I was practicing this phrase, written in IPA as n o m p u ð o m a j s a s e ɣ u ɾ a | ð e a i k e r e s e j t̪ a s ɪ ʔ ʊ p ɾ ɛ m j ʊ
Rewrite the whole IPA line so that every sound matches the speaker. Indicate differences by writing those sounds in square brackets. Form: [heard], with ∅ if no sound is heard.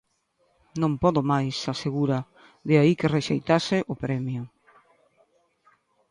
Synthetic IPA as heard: n [õ] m p [ɔ] ð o m a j s a s e ɣ u ɾ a | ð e a i k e r e [ʃ] e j t̪ a s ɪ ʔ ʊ p ɾ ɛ m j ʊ